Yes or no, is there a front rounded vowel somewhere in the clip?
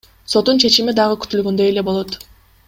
yes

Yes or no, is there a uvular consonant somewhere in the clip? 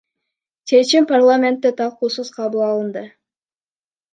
yes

